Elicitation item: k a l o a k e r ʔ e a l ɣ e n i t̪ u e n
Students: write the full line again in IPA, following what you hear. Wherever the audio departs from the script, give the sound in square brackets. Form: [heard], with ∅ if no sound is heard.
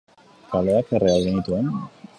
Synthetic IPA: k a l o a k e r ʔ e a l ɣ e n i t̪ u e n